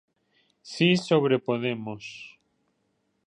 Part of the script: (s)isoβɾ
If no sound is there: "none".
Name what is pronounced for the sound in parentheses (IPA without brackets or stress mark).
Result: s